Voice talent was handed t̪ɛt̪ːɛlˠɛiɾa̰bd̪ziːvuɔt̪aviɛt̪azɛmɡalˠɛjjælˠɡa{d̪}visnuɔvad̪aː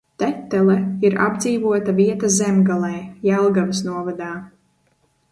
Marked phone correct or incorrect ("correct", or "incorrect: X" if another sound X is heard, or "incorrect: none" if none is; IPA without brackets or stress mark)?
incorrect: none